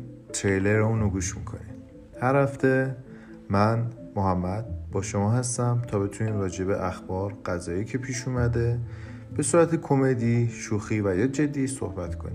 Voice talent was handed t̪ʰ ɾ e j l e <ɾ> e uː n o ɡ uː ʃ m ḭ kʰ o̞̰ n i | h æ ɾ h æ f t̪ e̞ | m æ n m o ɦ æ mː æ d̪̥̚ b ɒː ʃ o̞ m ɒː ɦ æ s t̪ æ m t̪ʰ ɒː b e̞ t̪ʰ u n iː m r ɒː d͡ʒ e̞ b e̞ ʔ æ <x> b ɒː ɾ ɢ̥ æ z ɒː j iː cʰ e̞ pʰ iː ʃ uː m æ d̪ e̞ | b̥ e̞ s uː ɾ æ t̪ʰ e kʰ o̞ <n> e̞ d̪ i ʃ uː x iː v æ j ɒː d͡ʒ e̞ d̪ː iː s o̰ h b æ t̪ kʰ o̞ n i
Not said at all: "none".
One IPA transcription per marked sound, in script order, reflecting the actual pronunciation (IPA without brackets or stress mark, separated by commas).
ɾ, x, m